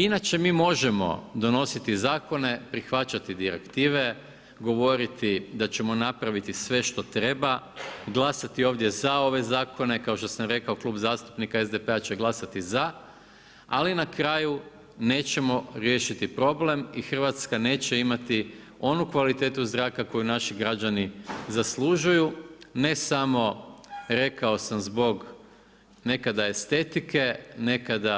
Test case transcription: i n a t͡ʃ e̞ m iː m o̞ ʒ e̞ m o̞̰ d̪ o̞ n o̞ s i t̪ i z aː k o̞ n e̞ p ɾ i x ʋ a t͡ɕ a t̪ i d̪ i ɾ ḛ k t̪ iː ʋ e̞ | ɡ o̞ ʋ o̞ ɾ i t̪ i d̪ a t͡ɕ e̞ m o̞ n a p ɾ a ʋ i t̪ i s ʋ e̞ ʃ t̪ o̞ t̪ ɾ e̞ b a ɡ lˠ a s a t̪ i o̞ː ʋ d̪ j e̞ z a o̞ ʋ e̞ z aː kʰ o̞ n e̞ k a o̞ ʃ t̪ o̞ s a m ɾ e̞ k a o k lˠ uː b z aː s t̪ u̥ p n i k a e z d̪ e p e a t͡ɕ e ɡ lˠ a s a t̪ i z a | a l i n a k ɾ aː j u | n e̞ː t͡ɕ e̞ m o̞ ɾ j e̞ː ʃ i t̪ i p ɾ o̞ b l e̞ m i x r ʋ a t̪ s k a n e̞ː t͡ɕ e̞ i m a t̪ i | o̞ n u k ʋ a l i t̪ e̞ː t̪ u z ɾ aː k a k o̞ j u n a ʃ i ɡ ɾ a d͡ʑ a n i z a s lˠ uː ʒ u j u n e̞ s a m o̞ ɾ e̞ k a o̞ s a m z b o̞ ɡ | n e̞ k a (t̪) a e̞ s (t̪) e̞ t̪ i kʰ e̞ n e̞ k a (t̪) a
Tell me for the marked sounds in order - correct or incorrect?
incorrect, correct, incorrect

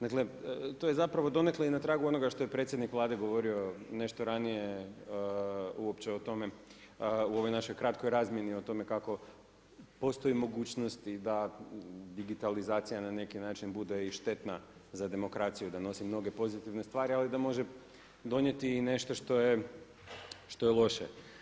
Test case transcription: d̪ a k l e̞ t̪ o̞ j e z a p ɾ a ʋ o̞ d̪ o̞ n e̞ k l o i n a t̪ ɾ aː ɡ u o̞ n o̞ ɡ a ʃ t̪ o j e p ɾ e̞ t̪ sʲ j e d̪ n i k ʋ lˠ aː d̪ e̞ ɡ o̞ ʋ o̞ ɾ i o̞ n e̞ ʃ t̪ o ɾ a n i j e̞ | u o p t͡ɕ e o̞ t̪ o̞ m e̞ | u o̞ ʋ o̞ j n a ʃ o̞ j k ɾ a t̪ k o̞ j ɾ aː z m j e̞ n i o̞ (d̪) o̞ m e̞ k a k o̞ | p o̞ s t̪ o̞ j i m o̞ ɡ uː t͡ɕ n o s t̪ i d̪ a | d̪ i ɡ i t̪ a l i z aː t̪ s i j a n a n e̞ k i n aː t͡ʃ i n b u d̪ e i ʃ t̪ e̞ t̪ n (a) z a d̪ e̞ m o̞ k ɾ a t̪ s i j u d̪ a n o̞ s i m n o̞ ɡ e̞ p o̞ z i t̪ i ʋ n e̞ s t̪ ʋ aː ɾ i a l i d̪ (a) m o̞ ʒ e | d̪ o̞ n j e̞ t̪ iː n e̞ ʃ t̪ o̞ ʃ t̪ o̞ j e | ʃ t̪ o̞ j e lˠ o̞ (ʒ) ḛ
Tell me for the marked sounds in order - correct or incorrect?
incorrect, correct, correct, incorrect

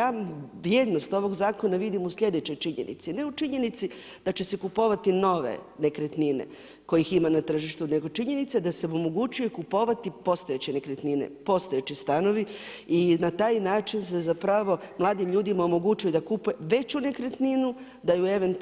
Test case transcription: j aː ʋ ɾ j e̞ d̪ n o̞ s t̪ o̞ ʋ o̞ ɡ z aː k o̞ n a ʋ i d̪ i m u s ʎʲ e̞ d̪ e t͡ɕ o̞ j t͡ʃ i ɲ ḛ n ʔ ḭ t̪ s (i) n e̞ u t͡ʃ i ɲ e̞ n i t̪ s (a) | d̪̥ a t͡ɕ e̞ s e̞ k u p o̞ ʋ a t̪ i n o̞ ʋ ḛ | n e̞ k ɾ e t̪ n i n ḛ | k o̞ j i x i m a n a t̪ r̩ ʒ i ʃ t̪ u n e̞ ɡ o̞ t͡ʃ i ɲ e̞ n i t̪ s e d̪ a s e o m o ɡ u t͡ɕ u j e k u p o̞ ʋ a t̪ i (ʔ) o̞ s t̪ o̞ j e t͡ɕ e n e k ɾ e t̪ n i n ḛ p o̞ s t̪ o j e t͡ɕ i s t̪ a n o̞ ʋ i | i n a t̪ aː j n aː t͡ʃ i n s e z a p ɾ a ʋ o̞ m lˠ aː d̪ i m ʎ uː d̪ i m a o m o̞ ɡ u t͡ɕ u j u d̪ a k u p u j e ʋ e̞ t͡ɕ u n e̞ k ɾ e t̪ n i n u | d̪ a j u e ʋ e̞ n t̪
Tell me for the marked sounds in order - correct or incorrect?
correct, incorrect, incorrect

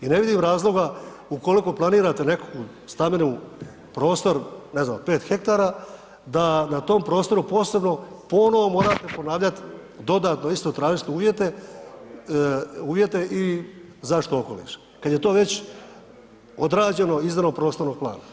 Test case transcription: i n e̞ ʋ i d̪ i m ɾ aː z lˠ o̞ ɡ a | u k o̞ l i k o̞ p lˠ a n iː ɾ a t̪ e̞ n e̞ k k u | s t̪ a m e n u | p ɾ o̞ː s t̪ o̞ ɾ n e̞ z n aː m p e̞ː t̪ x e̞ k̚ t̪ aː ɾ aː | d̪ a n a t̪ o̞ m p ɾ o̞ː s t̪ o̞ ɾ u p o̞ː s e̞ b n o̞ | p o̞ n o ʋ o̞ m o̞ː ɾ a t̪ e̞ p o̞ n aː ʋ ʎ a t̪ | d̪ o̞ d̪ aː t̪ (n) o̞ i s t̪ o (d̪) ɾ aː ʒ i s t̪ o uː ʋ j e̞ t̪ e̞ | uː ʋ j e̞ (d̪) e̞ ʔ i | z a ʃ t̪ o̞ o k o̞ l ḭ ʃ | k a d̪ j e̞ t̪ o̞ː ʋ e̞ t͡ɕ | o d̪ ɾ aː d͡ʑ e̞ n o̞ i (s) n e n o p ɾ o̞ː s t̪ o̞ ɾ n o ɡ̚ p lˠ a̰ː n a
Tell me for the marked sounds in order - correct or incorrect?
correct, incorrect, incorrect, incorrect

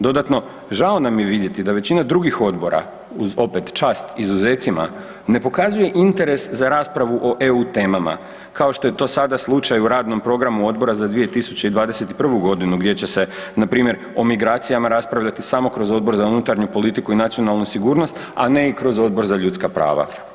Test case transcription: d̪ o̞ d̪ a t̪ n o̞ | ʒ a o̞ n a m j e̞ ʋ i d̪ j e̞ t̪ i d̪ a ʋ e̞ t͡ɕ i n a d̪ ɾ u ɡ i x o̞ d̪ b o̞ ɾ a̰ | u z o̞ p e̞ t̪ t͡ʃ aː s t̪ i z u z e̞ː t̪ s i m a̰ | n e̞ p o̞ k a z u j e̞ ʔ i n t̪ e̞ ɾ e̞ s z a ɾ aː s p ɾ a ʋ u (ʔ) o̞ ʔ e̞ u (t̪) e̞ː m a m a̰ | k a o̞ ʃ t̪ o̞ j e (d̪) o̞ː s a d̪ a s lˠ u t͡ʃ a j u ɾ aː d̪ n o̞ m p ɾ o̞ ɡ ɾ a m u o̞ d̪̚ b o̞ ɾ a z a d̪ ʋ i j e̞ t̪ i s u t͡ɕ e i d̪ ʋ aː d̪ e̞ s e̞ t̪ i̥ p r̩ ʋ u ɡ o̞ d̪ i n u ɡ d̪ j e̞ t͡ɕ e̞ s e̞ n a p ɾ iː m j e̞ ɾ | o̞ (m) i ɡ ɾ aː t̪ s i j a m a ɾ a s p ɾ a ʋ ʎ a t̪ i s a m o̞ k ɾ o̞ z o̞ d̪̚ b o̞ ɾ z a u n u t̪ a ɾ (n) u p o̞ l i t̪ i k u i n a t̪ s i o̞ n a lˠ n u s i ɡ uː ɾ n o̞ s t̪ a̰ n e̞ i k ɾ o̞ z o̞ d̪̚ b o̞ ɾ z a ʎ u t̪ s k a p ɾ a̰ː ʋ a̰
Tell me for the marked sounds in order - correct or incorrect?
correct, correct, incorrect, correct, incorrect

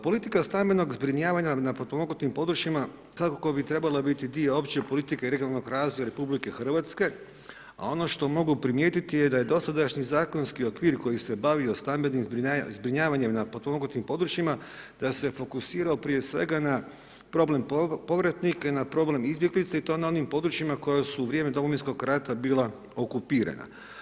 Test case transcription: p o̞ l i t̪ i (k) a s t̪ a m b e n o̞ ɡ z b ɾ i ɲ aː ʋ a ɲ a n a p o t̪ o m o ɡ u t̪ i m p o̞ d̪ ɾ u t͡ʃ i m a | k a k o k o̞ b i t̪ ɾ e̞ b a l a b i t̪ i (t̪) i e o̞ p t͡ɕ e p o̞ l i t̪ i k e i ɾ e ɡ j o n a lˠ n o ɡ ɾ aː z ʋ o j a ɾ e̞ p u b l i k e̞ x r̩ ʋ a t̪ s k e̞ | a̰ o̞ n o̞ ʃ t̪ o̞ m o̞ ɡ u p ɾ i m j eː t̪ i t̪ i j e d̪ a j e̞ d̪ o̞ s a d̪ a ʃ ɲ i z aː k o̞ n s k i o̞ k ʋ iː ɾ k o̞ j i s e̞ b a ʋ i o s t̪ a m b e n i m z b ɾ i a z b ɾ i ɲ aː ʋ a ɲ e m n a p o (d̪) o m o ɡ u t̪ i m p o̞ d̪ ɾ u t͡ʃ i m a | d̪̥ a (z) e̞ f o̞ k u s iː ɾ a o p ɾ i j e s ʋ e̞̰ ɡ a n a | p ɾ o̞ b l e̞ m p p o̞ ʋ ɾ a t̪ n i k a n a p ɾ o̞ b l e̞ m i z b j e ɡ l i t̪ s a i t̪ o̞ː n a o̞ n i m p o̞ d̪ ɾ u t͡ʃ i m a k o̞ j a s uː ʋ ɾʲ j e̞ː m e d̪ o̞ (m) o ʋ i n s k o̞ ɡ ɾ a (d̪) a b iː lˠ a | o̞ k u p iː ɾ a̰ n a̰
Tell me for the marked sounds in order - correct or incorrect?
correct, incorrect, incorrect, incorrect, correct, incorrect

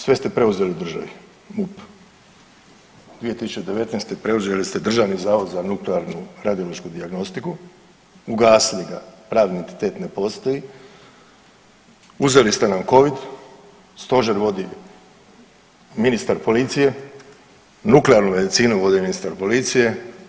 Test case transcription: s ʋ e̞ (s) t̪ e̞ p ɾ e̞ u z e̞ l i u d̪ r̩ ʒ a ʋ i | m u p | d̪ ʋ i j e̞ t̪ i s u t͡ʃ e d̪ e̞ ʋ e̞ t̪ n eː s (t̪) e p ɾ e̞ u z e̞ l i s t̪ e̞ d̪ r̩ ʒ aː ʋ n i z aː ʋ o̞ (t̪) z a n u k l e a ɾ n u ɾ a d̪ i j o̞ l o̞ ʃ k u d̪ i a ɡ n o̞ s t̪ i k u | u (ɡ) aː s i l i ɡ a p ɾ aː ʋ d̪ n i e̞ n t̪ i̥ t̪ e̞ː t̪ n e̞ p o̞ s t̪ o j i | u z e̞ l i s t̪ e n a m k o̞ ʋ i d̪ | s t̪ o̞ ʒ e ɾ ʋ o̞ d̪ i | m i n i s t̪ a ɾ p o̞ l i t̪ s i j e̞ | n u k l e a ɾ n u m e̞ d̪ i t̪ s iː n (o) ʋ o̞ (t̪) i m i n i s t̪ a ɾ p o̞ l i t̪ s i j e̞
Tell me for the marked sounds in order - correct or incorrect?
correct, correct, incorrect, correct, incorrect, incorrect

